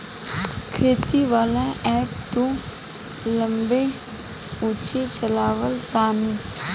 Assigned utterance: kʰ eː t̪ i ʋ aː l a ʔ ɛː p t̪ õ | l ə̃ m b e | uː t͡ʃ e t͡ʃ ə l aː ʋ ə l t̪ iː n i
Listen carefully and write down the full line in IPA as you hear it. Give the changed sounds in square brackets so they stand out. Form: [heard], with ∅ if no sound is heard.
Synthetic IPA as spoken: kʰ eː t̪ i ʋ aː l a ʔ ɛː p t̪ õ | l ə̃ m b e | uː t͡ʃ e t͡ʃ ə l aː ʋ ə l t̪ [aː] n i